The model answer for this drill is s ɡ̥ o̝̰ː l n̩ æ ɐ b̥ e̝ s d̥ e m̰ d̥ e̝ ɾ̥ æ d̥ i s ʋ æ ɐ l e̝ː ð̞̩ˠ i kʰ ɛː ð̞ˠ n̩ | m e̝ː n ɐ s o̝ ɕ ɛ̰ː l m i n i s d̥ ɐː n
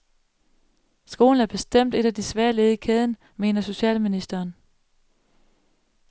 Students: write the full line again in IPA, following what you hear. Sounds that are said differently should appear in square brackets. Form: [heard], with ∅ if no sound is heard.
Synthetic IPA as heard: s ɡ̥ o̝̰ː l n̩ æ ɐ b̥ e̝ s d̥ e m̰ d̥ e̝ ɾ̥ æ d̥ i s ʋ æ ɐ l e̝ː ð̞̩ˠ i kʰ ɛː ð̞ˠ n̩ | m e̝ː n ɐ s o̝ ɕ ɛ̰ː l m i n i s d̥ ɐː n

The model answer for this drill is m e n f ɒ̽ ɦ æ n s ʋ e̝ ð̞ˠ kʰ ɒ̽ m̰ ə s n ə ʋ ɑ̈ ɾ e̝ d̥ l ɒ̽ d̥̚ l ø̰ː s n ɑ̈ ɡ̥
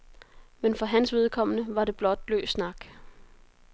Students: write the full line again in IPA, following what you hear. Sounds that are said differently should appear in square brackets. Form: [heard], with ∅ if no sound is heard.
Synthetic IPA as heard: m e n f ɒ̽ ɦ æ n s ʋ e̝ ð̞ˠ kʰ ɒ̽ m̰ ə [∅] n ə ʋ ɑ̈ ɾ e̝ [b̥] l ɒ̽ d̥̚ l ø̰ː s n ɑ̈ ɡ̥

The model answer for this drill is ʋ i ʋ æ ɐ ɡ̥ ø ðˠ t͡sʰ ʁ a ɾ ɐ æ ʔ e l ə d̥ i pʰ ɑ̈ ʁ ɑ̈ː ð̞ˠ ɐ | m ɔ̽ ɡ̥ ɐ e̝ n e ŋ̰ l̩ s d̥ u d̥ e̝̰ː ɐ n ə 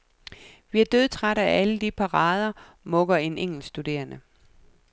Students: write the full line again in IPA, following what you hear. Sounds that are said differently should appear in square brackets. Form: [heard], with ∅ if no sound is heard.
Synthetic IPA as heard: ʋ i [∅] æ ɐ [d̥] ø ðˠ t͡sʰ ʁ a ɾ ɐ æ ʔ [æ] l ə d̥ i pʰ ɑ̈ ʁ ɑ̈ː ð̞ˠ ɐ | m ɔ̽ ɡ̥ ɐ e̝ n e ŋ̰ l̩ s d̥ u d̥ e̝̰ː ɐ n ə

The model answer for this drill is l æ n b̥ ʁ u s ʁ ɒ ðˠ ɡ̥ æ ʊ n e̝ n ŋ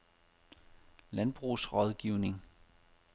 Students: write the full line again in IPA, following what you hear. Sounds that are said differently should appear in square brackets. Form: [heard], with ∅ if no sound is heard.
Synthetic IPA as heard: l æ n b̥ ʁ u s ʁ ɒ ðˠ ɡ̥ [i] ʊ n e̝ [∅] ŋ

